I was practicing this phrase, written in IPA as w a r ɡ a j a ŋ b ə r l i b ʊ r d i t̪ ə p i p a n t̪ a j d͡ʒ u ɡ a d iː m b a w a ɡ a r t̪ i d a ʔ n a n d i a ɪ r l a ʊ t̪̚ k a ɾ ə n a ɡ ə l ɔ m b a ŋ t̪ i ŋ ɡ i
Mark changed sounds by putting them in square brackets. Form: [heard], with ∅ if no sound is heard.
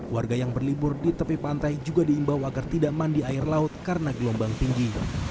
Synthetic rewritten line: w a r ɡ a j a ŋ b ə r l i b ʊ r d i t̪ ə p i p a n t̪ a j d͡ʒ u ɡ a d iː m b a w a ɡ a r t̪ i d a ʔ [m] a n d i a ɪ r l a ʊ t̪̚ k a ɾ ə n a ɡ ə l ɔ m b a ŋ t̪ i ŋ ɡ i